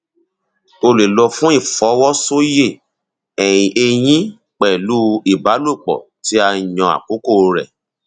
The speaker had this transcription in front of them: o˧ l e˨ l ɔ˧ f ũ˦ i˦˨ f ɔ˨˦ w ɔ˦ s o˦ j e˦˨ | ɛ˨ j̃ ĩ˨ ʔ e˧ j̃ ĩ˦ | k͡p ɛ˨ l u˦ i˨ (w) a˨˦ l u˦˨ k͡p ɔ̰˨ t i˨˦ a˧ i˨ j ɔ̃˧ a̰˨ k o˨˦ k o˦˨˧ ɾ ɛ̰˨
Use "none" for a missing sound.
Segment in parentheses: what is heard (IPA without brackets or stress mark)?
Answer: b